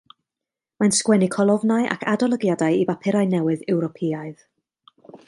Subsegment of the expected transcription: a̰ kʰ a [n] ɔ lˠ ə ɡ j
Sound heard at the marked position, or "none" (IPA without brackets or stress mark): d